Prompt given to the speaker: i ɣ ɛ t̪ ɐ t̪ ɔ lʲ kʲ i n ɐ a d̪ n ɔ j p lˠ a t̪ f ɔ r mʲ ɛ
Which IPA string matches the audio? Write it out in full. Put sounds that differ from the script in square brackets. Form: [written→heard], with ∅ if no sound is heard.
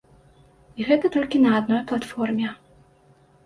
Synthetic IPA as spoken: i ɣ ɛ t̪ ɐ t̪ ɔ lʲ kʲ i n ɐ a d̪ n ɔ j p lˠ a t̪ f ɔ r mʲ ɛ